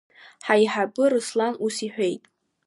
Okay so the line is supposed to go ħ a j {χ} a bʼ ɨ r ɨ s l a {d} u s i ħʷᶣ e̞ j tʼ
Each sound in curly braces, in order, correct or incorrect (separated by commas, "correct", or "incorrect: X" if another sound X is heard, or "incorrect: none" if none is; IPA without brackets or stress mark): incorrect: ħ, incorrect: n